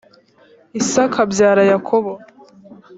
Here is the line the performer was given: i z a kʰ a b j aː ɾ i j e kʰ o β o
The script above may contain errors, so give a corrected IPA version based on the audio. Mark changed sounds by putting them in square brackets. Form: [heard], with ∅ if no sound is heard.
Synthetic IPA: i [s] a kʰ a b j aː ɾ [a] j [a] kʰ o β o